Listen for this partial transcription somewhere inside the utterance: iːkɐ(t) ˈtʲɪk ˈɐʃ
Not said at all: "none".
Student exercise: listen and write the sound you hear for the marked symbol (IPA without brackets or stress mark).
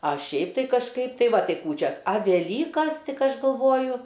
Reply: s